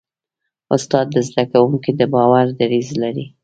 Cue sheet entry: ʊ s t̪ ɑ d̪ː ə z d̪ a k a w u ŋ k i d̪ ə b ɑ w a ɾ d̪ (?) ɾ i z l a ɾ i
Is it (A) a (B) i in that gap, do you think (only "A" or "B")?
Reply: A